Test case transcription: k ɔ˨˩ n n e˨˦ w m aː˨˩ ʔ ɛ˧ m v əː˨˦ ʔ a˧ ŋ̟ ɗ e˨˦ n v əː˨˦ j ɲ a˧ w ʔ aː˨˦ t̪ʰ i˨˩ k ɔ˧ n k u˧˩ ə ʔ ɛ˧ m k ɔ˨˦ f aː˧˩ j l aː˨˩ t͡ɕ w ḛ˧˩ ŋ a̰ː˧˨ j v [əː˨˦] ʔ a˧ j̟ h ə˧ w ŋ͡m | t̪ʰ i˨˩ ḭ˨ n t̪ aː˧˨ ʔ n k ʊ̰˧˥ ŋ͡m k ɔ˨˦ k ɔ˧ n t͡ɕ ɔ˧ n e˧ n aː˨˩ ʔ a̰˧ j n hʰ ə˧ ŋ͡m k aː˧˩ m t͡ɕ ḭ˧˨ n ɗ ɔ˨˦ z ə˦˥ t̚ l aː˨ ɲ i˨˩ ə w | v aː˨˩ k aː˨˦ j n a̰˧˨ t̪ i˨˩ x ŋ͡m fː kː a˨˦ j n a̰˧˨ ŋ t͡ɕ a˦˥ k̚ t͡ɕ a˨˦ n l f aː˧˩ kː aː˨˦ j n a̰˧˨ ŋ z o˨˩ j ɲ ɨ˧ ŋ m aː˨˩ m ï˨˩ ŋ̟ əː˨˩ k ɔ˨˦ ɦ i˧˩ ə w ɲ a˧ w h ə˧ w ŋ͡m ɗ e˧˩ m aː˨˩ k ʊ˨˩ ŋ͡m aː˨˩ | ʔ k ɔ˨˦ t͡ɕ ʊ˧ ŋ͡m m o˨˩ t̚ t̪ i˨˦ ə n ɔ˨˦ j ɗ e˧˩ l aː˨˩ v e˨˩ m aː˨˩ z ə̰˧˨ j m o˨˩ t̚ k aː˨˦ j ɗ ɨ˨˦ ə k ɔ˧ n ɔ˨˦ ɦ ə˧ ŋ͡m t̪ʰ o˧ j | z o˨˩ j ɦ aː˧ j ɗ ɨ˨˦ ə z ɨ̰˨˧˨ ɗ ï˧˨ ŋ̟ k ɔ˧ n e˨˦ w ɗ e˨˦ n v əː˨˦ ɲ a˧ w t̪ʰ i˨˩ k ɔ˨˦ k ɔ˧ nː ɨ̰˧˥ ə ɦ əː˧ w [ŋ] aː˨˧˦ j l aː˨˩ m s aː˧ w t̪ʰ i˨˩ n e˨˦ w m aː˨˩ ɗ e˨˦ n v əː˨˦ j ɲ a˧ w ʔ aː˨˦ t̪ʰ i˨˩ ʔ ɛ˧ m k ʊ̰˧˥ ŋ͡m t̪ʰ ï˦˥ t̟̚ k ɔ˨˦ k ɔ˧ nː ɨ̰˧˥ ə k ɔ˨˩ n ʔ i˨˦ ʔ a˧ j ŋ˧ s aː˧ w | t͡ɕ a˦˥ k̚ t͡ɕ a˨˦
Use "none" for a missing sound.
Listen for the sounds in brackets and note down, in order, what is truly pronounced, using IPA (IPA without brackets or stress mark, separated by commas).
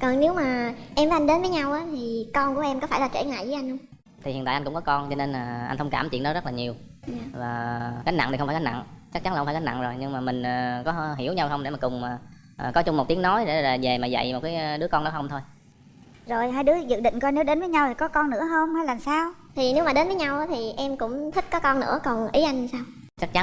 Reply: ə˨˦, ŋ͡m